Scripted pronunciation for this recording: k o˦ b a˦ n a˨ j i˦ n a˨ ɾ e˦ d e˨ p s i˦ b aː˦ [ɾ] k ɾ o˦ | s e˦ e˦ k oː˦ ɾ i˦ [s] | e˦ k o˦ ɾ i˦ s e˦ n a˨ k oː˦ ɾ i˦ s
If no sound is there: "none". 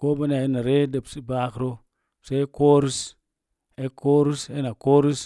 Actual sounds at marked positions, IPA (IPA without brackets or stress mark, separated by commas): none, s